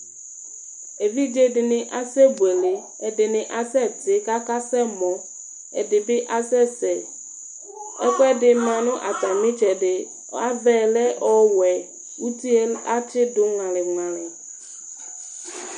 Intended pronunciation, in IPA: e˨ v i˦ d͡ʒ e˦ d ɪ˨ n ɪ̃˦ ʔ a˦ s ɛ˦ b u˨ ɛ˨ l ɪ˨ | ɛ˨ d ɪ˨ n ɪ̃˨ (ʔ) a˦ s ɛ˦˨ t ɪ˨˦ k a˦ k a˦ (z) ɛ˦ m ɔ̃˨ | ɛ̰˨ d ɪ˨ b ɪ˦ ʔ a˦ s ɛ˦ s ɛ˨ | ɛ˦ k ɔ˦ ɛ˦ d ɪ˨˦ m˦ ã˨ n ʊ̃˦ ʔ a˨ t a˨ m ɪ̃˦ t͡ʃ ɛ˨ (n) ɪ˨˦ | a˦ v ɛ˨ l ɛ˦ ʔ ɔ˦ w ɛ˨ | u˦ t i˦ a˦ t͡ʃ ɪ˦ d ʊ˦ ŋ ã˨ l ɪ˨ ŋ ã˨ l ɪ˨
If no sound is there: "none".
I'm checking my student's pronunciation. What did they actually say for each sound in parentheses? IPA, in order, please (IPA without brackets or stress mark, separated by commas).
ʔ, s, d